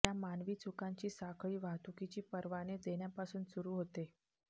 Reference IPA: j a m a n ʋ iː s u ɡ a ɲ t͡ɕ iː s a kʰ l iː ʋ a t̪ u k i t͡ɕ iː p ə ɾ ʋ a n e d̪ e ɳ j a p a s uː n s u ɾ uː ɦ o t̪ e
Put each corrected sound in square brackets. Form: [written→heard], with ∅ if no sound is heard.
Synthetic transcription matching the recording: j a m a n ʋ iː [s→t͡s] u [ɡ→k] a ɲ t͡ɕ iː s a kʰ [l→ɭ] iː ʋ a t̪ u k i t͡ɕ iː p ə ɾ ʋ a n e d̪ e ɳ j a p a s uː n s u ɾ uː ɦ o t̪ e